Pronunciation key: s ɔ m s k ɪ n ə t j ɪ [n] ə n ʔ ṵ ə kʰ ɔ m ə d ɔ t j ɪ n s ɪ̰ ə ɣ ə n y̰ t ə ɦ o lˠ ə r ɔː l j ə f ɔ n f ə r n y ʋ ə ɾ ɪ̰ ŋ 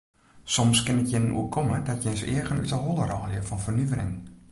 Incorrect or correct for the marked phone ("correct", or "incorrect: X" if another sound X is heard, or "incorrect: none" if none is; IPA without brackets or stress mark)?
correct